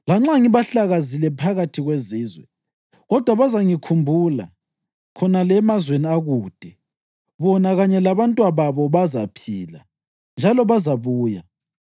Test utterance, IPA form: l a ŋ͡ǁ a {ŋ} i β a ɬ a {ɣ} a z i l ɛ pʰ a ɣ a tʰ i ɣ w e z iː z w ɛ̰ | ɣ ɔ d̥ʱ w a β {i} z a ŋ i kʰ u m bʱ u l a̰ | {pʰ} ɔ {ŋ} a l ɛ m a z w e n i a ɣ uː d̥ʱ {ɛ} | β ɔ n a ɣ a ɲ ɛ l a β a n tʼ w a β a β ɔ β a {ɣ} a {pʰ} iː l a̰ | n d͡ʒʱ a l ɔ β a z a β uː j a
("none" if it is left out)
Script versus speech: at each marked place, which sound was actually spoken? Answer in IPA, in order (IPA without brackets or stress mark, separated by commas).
ŋ, ɣ, a, kʰ, n, ɛ, z, pʰ